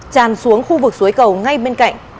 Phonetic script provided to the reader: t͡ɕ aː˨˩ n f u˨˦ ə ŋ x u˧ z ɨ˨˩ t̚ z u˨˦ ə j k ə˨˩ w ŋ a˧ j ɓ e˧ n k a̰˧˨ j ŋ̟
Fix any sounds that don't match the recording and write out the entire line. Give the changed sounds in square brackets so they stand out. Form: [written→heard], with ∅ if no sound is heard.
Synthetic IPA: t͡ɕ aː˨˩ n [f→s] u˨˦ ə ŋ x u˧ [z→v] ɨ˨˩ [t̚→k̚] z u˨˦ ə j k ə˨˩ w ŋ a˧ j ɓ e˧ n k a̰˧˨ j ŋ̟